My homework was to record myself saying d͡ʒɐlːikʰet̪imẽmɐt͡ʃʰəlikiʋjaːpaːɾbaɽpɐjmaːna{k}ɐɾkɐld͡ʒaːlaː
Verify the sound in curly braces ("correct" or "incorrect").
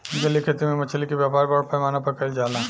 incorrect